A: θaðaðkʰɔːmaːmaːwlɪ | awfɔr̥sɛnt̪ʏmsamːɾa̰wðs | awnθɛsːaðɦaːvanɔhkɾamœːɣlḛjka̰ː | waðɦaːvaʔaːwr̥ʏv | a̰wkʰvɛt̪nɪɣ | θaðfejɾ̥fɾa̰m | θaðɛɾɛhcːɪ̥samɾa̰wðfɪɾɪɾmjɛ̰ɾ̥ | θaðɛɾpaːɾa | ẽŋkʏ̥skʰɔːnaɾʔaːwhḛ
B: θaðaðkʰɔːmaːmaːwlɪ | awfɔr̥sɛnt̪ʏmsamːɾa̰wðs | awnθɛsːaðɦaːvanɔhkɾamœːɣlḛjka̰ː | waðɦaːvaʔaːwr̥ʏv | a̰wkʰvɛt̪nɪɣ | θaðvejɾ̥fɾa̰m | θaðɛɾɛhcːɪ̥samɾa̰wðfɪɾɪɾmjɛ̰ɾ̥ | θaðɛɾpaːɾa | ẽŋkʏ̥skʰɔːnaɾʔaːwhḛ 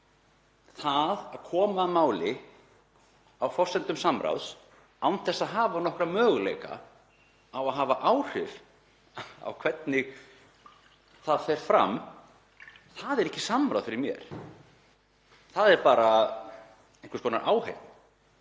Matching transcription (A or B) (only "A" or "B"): A